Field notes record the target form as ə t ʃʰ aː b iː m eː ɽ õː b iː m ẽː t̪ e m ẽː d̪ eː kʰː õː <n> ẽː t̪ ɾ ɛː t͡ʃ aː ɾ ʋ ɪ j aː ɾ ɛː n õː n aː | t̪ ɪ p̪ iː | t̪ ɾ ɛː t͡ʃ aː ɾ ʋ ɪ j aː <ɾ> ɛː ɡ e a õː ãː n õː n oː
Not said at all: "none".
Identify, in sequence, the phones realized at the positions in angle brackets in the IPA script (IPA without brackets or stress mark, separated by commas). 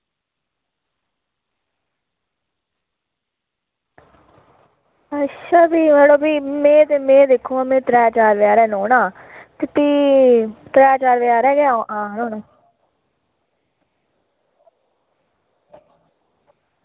m, ɾ